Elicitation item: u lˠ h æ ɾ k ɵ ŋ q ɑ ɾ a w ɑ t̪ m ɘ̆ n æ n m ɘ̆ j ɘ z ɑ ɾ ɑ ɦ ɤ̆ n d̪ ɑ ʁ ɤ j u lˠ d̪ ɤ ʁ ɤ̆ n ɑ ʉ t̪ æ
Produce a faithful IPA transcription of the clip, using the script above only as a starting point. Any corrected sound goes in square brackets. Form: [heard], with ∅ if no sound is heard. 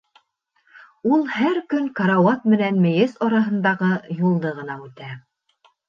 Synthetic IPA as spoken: u lˠ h æ ɾ k ɵ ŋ [k] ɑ ɾ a w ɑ t̪ m ɘ̆ n æ n m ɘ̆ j ɘ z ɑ ɾ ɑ ɦ ɤ̆ n d̪ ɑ ʁ ɤ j u lˠ d̪ ɤ ʁ ɤ̆ n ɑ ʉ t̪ æ